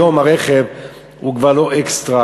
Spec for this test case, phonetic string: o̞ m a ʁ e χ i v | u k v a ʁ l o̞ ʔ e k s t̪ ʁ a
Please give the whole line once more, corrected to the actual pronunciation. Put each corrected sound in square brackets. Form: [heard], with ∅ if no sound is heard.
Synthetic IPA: o̞ m a ʁ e χ [e] v | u k v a ʁ l o̞ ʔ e k s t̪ ʁ a